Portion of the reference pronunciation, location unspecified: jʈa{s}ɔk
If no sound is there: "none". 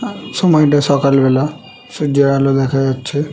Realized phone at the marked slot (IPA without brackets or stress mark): s